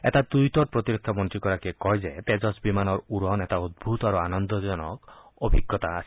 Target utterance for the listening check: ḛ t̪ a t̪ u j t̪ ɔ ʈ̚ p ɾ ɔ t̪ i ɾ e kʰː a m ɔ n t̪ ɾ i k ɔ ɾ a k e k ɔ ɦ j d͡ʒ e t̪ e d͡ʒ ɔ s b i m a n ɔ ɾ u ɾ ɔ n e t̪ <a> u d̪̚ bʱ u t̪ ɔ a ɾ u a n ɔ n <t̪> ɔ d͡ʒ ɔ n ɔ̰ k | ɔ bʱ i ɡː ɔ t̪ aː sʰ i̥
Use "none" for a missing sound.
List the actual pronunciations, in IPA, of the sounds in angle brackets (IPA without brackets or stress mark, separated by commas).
a, d̪